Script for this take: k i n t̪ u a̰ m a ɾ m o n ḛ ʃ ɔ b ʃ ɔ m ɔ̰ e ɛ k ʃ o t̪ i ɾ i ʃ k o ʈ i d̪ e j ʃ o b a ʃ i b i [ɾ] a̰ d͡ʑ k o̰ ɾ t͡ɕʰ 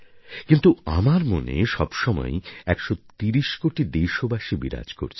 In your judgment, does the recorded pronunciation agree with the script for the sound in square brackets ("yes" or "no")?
yes